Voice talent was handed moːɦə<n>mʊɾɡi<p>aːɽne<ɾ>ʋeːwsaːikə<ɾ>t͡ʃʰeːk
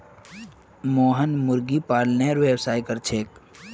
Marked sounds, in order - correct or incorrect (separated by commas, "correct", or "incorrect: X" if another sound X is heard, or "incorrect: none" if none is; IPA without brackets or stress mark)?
correct, correct, correct, correct